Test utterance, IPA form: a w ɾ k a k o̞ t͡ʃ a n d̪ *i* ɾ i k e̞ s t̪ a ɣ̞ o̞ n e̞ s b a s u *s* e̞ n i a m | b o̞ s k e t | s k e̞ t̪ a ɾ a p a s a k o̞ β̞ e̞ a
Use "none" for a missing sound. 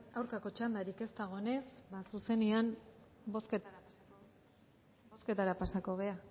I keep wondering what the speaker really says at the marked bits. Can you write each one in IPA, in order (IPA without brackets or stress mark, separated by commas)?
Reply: a, s